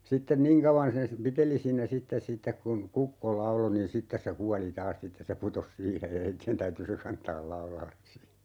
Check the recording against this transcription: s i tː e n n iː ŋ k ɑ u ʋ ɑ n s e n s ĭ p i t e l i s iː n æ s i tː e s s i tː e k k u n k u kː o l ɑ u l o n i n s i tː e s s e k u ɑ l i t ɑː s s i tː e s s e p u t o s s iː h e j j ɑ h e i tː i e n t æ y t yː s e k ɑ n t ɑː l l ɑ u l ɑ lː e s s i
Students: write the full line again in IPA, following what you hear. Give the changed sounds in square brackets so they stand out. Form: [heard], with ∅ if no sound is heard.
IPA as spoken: s i tː e n n iː ŋ k ɑ u ʋ ɑ n s e n s ĭ p i t e l i s iː n æ s i tː e s s i tː e k k u n k u kː o l ɑ u l o n i n s i tː e s s e k u ɑ l i t ɑː s s i tː e s s e p u t o s s iː h e j j ɑ h e i tː i e n t æ y t [y] s e k ɑ n t ɑː l l ɑ u l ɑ lː e s s i